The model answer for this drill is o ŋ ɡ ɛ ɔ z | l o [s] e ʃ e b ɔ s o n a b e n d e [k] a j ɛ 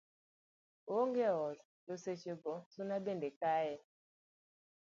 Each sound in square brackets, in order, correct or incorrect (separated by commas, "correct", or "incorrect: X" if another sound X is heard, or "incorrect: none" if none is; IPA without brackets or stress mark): correct, correct